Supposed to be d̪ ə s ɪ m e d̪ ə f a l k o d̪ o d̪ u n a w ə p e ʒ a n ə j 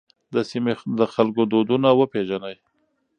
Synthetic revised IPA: d̪ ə s i m e d̪ ə x a l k o d̪ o d̪ u n a w ə p e ʒ a n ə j